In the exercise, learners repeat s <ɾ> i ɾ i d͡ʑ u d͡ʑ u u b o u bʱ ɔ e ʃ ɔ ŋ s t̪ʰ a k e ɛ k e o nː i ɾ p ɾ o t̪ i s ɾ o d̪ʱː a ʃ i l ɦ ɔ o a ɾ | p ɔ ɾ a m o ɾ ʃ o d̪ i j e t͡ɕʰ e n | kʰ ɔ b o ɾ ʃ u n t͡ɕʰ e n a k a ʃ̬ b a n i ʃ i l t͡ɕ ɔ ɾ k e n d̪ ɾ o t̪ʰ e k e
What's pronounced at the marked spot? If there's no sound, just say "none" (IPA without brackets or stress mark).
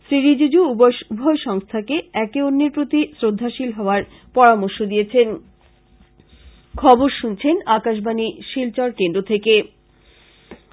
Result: ɾ